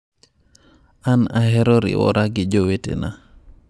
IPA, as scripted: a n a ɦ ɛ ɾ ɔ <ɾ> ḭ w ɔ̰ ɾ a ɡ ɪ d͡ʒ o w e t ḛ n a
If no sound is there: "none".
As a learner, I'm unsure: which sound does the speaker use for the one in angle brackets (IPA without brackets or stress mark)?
ɾ